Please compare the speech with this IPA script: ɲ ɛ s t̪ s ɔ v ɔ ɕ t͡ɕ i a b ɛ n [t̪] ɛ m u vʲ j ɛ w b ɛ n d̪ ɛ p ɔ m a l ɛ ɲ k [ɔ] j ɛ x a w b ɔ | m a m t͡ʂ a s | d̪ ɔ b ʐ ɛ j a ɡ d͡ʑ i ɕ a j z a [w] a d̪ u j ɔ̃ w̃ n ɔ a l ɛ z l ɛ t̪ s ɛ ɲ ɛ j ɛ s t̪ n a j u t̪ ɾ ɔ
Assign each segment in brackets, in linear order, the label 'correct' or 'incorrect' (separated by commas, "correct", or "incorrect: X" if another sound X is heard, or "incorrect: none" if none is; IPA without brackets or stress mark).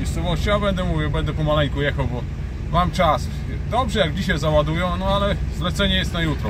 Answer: incorrect: d̪, incorrect: u, correct